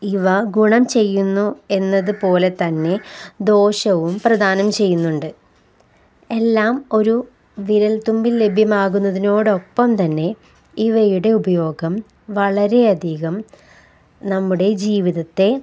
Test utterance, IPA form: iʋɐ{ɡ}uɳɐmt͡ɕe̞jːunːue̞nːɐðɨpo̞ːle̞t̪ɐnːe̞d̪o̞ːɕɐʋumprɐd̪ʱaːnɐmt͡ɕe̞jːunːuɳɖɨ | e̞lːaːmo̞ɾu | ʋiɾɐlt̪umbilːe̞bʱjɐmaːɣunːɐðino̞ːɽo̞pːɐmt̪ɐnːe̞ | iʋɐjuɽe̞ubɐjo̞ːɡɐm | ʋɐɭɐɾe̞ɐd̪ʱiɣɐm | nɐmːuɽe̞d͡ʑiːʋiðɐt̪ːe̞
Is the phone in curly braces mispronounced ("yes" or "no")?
no